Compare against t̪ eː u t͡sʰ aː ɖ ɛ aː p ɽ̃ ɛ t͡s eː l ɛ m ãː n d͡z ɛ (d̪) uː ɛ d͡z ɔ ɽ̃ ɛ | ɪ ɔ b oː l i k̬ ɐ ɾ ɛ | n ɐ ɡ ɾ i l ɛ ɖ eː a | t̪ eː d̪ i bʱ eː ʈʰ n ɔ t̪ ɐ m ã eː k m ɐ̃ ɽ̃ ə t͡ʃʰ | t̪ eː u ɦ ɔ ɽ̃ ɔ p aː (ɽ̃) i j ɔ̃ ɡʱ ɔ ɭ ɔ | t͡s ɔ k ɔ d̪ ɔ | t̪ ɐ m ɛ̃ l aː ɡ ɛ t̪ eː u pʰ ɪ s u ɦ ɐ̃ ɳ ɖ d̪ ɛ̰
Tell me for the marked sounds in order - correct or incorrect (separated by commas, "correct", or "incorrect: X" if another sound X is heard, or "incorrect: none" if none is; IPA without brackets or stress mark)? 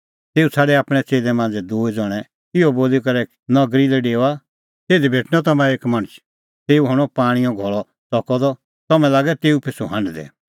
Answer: correct, correct